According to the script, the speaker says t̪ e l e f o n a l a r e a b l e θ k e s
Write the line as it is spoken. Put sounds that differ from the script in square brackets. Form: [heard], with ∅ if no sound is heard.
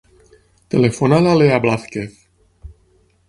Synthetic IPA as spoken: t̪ e l e f o n a l a [l] e a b l [a] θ k e [θ]